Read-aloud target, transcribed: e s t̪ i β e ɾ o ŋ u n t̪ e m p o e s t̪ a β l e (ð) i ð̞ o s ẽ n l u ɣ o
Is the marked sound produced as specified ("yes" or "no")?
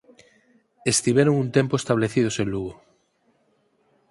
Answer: no